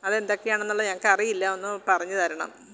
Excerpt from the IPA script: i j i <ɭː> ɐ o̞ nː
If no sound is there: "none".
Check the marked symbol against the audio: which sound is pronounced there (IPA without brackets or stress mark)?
lː